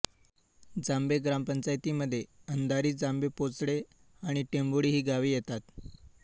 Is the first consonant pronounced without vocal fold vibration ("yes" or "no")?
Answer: no